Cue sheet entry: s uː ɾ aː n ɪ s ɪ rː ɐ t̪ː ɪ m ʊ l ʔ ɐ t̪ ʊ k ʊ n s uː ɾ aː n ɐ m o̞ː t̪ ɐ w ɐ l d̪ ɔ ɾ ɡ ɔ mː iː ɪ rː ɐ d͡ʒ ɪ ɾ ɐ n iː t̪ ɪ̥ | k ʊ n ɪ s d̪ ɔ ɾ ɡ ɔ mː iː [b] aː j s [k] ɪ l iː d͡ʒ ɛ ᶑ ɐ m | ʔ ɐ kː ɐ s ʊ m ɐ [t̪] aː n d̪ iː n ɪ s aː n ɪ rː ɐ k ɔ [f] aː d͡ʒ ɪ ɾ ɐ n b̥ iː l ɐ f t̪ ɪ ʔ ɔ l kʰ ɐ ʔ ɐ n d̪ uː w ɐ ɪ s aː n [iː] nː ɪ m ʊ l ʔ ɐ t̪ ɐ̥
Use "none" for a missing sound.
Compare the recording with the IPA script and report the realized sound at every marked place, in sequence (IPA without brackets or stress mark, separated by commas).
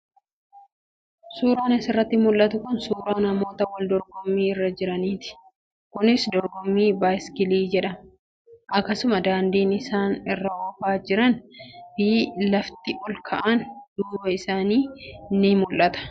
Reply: b, k, d̪, f, iː